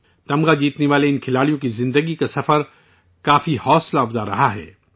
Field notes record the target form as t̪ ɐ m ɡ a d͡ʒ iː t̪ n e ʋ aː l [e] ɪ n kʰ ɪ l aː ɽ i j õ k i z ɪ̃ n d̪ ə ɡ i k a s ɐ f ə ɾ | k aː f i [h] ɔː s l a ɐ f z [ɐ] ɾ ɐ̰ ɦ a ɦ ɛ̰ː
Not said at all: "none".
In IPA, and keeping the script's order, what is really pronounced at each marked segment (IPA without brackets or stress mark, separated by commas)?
e, h, a